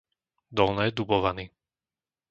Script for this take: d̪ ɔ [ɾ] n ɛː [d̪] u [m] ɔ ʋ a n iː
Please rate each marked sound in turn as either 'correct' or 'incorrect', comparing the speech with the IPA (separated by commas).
incorrect, correct, incorrect